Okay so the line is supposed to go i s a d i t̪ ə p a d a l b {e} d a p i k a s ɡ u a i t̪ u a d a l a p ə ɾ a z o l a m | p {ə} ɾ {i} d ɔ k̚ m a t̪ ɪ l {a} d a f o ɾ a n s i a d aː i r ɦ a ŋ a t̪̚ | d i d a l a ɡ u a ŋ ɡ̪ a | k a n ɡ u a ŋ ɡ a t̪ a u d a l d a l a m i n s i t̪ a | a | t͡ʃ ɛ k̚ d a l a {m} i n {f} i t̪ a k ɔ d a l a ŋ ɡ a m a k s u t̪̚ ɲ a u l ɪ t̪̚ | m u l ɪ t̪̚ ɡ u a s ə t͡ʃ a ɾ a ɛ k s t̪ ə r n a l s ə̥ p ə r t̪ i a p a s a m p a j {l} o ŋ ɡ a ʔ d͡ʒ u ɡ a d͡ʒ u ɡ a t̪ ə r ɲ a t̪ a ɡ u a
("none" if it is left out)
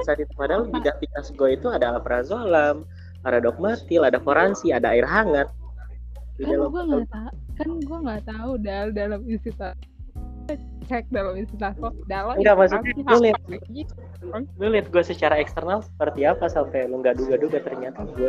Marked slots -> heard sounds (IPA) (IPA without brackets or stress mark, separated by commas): i, a, a, a, m, s, l